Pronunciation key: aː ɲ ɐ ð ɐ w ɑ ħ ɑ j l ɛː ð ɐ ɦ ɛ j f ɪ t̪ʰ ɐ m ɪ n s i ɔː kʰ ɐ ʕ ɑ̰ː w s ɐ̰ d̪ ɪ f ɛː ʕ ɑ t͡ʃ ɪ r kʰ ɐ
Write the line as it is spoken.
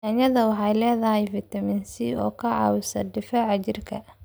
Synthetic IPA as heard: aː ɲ ɐ ð ɐ w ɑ ħ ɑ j l ɛː ð ɐ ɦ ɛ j f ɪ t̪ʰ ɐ m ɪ n s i ɔː kʰ ɐ ʕ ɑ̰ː w s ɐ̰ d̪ ɪ f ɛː ʕ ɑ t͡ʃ ɪ r kʰ ɐ